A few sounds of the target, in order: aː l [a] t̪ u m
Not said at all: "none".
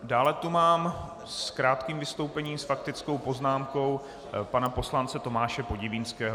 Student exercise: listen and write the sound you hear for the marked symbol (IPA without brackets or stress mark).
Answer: ɛ